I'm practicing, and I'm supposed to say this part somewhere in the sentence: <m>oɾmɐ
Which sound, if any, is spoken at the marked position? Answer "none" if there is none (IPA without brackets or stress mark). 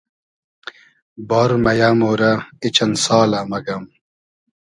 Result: b